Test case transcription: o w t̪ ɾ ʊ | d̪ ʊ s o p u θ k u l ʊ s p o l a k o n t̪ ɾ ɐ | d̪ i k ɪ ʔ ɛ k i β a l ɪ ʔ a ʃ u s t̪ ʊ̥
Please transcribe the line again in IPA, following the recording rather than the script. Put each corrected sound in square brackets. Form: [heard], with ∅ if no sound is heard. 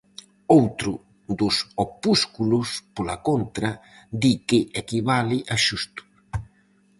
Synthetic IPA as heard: o w t̪ ɾ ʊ | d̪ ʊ s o p u [s] k u l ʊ s p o l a k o n t̪ ɾ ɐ | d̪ i k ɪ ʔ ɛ k i β a l ɪ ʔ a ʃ u s t̪ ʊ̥